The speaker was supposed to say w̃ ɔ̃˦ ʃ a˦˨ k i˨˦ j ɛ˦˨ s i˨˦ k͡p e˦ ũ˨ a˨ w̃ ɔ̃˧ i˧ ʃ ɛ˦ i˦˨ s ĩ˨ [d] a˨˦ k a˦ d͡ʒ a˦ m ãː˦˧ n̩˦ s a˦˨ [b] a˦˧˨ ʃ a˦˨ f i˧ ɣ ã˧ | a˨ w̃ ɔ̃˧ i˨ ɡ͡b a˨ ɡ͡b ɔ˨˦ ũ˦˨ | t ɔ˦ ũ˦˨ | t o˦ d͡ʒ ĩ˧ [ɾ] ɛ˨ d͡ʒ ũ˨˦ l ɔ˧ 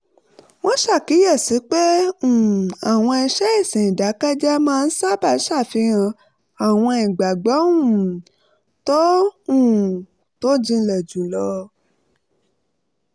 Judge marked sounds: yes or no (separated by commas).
yes, yes, no